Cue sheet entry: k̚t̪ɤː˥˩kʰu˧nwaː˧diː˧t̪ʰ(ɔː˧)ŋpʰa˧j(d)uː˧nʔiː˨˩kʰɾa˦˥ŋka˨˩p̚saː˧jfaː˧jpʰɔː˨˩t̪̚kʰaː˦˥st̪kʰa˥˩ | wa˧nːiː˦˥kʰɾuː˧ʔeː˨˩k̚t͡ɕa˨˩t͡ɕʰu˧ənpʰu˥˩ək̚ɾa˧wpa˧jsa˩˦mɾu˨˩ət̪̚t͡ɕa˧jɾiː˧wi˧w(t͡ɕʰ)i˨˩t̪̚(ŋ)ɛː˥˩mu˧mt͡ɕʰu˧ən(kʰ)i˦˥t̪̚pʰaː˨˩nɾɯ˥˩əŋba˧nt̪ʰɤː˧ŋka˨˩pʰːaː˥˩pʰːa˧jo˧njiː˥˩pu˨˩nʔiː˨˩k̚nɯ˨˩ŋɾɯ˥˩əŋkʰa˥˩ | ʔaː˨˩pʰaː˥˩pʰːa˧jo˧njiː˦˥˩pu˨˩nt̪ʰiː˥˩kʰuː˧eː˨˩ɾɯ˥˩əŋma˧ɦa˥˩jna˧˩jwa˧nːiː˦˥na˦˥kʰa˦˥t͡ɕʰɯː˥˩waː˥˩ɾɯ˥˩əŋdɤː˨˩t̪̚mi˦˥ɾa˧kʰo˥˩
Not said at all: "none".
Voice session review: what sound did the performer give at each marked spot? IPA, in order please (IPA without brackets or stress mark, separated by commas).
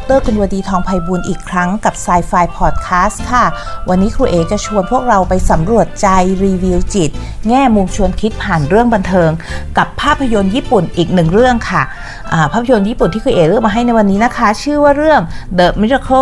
ɔː˧, b, t͡ɕ, ŋ, kʰ